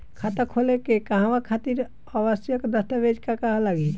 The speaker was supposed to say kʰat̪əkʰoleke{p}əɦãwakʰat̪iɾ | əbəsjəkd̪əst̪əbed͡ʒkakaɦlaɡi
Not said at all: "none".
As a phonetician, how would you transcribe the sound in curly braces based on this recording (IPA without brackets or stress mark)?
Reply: k